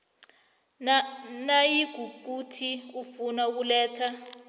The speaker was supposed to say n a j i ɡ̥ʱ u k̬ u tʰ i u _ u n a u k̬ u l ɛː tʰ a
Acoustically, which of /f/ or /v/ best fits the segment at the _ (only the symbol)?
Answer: f